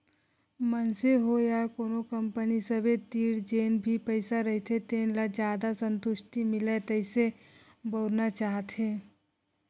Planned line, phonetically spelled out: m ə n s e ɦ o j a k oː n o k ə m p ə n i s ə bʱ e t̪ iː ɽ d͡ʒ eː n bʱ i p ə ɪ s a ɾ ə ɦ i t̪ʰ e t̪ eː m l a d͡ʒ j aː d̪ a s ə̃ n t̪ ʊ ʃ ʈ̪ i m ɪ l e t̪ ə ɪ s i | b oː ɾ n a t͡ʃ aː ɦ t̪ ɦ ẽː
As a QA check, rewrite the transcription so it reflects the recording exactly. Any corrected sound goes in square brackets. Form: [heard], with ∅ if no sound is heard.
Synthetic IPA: m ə n s e ɦ o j a k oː n o k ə m p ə n i s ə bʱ e t̪ iː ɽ d͡ʒ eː n bʱ i p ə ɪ s a ɾ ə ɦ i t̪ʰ e t̪ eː [n] l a d͡ʒ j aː d̪ a s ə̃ n t̪ ʊ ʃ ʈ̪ i m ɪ l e t̪ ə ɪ s [e] | b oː ɾ n a t͡ʃ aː ɦ t̪ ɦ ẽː